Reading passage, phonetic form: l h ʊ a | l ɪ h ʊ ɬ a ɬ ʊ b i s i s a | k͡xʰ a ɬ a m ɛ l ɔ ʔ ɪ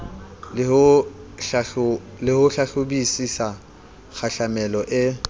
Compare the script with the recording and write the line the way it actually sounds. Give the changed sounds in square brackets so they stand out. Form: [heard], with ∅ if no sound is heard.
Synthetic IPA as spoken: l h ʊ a | l ɪ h ʊ ɬ a ɬ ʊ b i s i s a | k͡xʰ a ɬ a m ɛ l ɔ ʔ ɪ

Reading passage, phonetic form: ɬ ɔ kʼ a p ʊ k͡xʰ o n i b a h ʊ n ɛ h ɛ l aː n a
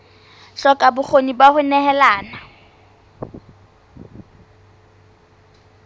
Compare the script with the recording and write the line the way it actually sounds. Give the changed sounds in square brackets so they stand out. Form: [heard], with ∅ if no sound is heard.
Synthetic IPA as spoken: ɬ ɔ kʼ a [b] ʊ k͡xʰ o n i b a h ʊ n ɛ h ɛ l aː n a

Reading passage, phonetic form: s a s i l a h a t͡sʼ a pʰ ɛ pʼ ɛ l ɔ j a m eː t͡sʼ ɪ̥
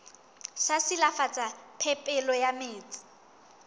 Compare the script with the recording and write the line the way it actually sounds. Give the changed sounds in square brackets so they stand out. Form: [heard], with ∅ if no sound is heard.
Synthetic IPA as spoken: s a s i l a [f] a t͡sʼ a pʰ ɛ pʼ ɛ l ɔ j a m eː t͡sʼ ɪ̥

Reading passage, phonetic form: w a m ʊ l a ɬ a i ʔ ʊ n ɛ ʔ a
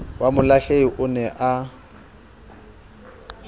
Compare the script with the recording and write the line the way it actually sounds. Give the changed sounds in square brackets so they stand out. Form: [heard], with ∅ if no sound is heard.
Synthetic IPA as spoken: w a m ʊ l a ɬ [e] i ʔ ʊ n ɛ ʔ a

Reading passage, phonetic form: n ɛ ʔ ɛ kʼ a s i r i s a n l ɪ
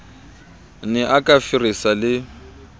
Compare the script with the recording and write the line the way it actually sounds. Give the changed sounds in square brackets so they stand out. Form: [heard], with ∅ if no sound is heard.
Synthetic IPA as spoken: n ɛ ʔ [a] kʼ a [f] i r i s a [∅] l ɪ

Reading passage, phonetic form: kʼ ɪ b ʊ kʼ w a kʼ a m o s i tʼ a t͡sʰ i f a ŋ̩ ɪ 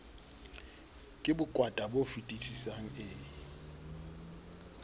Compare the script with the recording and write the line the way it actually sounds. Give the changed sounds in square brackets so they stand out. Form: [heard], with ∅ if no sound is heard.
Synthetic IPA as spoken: kʼ ɪ b ʊ kʼ w a [tʼ] a [b] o [f] i tʼ [i] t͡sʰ i [s] a ŋ̩ ɪ

